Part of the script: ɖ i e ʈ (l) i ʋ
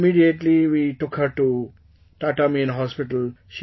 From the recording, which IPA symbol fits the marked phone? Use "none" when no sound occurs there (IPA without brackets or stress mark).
l